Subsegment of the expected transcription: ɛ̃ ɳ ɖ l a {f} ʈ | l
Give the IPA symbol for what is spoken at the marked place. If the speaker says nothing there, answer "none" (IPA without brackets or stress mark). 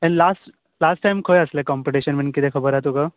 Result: s